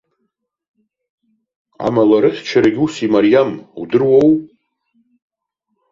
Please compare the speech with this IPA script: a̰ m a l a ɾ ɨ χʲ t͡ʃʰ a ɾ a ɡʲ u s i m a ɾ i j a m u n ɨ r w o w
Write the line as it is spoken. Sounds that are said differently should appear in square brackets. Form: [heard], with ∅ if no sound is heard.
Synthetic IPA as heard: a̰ m a l a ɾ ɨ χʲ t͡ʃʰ a ɾ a ɡʲ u s i m a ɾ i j a m u [d] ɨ r w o w